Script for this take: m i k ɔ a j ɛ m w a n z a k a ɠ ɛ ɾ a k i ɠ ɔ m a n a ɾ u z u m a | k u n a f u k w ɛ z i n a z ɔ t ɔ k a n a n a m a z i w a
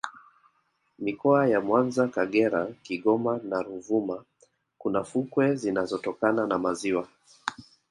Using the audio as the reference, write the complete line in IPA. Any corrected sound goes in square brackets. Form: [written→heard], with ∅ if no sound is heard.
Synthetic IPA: m i k ɔ a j [ɛ→a] m w a n z a k a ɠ ɛ ɾ a k i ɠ ɔ m a n a ɾ u [z→v] u m a | k u n a f u k w ɛ z i n a z ɔ t ɔ k a n a n a m a z i w a